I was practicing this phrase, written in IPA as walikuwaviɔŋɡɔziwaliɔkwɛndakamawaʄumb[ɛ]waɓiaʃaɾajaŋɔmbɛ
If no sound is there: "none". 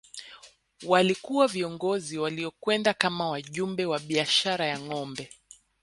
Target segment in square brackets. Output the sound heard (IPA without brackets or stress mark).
ɛ